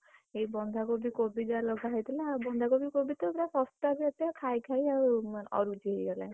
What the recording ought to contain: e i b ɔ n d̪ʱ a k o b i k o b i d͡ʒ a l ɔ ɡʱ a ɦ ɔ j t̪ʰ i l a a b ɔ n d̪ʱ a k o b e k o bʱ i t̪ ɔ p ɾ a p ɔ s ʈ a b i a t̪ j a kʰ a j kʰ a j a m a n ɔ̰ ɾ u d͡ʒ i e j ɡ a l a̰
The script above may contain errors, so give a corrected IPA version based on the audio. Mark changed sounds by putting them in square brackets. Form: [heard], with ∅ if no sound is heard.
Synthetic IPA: e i b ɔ n d̪ʱ a k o b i k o b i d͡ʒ a l ɔ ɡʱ a ɦ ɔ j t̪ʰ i l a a b ɔ n d̪ʱ a k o b [i] k o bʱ i t̪ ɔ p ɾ a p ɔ s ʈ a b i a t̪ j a kʰ a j kʰ a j a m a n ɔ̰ ɾ u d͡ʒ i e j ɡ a l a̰